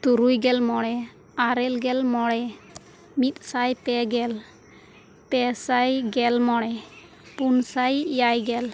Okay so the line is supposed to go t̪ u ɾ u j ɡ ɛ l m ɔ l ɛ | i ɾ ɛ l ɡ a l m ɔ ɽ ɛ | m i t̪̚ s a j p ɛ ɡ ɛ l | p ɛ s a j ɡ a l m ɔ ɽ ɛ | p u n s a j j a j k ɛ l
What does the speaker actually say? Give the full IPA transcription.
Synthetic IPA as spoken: t̪ u ɾ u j ɡ ɛ l m ɔ ɽ ɛ | a ɾ ɛ l ɡ ɛ l m ɔ ɽ ɛ | m i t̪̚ s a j p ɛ ɡ ɛ l | p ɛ s a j ɡ ɛ l m ɔ ɽ ɛ | p u n s a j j a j ɡ ɛ l